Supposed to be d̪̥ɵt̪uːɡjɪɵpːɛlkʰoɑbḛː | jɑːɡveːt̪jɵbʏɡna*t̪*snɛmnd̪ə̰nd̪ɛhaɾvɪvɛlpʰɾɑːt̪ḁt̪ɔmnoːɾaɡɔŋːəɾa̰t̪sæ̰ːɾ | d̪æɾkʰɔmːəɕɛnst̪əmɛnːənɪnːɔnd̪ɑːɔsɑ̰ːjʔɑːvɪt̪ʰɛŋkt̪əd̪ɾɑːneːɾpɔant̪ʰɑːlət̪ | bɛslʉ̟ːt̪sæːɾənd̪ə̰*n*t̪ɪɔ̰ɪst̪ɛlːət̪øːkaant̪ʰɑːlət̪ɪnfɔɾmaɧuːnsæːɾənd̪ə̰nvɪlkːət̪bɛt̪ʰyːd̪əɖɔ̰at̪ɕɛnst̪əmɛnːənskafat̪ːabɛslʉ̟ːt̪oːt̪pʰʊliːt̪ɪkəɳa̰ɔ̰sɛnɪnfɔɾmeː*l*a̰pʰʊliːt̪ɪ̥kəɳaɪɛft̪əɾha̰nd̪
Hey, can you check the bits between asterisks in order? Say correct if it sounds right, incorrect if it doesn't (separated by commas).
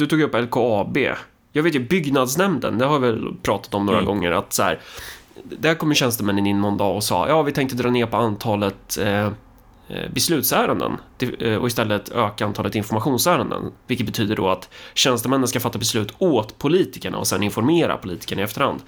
incorrect, correct, incorrect